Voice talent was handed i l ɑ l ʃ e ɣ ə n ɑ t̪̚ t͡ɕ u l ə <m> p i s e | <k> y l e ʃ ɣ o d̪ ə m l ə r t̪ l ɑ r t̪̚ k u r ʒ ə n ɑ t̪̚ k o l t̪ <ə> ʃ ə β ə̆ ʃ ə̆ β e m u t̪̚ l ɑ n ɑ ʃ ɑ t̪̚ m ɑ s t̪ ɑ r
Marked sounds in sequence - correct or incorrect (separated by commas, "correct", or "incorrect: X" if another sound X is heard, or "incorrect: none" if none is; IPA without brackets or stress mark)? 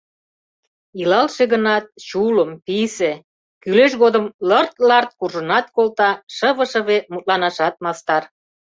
correct, correct, incorrect: ɑ